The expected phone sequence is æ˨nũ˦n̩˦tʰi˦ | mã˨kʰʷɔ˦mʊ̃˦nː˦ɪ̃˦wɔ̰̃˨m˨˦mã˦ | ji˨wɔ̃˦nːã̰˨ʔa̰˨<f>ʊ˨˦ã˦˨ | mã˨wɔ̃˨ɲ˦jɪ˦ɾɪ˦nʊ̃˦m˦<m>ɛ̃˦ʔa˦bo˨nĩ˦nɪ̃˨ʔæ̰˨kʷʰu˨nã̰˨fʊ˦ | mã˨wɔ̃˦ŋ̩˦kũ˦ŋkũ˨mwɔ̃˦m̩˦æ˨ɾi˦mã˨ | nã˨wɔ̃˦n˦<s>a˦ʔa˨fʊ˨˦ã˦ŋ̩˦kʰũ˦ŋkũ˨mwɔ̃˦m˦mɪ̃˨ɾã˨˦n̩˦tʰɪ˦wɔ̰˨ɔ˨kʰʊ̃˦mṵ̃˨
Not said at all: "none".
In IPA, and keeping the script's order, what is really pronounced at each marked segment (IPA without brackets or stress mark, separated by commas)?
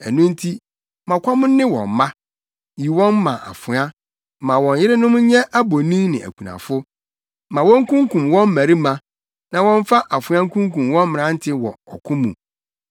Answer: f, ɲ, f